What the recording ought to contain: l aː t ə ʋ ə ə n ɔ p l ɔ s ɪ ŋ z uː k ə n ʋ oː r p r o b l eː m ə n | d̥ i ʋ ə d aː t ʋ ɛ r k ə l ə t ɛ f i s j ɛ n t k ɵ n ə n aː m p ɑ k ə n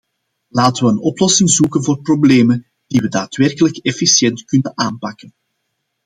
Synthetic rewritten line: l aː t ə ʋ ə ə n ɔ p l ɔ s ɪ ŋ z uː k ə n v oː r p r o b l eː m ə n | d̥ i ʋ ə d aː t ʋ ɛ r k ə l ə k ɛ f i s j ɛ n t k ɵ n ə n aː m p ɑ k ə n